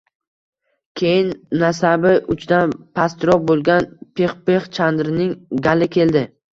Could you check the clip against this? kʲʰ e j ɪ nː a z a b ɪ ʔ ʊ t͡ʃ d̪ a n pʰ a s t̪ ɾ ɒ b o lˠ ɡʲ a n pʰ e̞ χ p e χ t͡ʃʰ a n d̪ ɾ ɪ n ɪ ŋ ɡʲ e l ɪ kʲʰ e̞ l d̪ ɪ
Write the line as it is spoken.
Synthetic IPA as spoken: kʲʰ e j ɪ nː a s a b ɪ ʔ ʊ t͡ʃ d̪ a n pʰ a s t̪ ɾ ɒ b o lˠ ɡʲ a n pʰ e̞ χ p e χ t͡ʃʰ a n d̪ ɾ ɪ n ɪ ŋ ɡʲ a l ɪ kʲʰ e̞ l d̪ ɪ